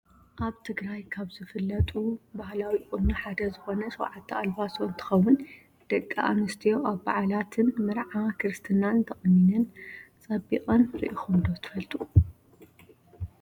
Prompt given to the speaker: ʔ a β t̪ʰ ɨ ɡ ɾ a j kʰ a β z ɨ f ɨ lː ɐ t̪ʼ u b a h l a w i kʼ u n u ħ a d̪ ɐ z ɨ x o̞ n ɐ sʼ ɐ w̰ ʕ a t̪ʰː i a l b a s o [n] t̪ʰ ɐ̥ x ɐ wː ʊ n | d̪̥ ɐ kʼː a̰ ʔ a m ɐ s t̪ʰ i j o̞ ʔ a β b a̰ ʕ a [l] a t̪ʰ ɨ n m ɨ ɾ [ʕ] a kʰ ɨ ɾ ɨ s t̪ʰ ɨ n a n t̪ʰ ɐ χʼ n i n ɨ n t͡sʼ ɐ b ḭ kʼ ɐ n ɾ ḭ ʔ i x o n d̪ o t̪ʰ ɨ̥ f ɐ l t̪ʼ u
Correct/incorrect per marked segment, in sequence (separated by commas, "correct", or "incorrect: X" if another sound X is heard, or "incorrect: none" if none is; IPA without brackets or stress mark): correct, correct, correct